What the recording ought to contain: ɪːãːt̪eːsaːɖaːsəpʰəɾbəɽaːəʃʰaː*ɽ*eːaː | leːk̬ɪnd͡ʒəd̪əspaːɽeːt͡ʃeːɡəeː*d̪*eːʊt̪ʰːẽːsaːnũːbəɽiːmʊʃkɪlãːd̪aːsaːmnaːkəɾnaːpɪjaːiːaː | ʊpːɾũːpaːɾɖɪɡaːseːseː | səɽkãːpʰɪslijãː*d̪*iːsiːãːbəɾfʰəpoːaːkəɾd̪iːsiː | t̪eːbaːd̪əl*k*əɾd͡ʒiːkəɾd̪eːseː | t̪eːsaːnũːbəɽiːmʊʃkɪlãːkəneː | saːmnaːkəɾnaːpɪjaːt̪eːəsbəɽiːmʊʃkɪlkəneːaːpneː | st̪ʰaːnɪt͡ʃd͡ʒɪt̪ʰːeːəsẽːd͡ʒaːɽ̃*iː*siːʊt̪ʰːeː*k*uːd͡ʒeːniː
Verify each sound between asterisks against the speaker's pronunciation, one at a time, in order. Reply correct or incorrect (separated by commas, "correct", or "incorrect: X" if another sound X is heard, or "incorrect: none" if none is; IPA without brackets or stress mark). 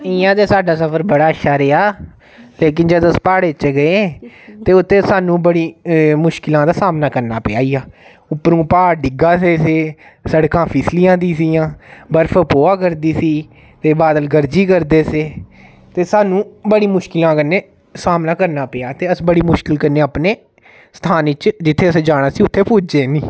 incorrect: ɾ, incorrect: t̪, correct, incorrect: ɡ, incorrect: aː, incorrect: p